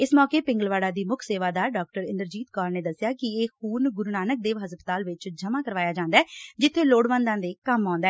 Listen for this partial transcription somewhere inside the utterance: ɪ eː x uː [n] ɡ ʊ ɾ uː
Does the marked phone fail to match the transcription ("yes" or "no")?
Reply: no